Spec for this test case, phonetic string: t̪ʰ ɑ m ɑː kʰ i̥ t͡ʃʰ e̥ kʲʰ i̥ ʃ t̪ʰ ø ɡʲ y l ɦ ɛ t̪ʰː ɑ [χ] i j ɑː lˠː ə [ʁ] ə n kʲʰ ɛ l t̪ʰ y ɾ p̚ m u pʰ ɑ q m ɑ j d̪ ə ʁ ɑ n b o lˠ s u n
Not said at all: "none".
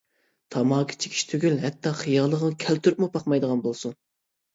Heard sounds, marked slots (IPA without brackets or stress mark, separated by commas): χ, ʁ